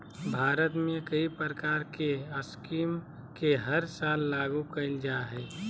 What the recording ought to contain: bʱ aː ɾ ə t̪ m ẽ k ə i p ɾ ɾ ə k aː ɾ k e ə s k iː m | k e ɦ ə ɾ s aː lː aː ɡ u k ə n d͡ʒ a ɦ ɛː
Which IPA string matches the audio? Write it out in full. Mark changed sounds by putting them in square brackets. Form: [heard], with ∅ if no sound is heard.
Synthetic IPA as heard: bʱ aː ɾ ə t̪ m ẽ k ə i p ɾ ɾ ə k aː ɾ k e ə s k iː m | k e ɦ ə ɾ s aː lː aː ɡ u k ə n d͡ʒ a ɦ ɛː